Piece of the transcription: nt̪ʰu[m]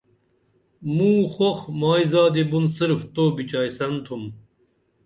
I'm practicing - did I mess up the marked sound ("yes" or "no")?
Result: no